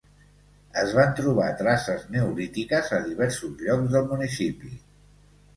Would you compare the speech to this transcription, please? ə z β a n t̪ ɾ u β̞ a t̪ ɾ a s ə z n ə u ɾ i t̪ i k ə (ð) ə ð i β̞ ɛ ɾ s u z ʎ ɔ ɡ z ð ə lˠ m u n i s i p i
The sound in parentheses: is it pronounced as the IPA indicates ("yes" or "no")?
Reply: no